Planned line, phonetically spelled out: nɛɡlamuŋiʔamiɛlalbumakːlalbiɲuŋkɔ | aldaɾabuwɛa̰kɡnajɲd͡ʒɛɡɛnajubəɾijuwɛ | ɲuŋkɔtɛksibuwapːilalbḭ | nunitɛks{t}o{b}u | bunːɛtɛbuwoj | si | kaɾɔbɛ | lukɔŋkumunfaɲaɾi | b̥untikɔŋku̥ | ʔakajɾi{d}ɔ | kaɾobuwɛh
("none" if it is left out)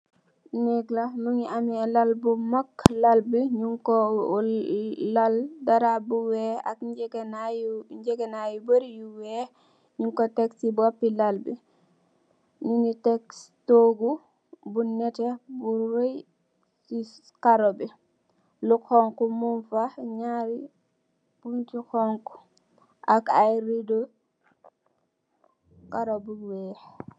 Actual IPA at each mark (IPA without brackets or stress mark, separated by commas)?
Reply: t, ɡ, d